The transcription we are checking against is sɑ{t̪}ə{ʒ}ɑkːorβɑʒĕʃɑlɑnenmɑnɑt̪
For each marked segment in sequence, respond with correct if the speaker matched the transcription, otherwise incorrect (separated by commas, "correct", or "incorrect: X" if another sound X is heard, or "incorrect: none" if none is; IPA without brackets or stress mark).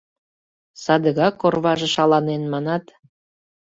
incorrect: d̪, incorrect: ɣ